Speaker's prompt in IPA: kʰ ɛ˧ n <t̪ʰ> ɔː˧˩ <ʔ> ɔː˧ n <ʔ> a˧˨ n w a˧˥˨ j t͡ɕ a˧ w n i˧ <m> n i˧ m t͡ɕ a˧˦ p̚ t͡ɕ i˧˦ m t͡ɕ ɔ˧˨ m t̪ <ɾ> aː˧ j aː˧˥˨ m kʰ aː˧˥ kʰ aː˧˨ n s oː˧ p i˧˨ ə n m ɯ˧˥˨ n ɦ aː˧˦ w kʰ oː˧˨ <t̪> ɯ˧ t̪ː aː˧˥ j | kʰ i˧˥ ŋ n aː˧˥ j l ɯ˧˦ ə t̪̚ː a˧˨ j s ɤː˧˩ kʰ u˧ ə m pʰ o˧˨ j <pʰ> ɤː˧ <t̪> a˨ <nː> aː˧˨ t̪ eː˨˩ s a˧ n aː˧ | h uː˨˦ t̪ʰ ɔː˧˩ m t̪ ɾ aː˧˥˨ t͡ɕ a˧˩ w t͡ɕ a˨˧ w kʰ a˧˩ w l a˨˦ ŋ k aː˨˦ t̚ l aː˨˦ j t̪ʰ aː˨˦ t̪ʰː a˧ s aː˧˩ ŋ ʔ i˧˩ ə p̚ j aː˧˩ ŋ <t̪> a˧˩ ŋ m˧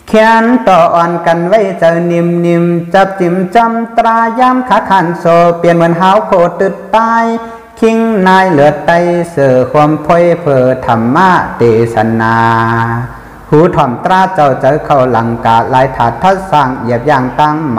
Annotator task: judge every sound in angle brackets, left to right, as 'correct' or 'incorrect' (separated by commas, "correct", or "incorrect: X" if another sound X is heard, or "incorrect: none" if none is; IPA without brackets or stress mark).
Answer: incorrect: t̪, correct, incorrect: k, correct, correct, correct, correct, incorrect: t̪ʰ, incorrect: mː, correct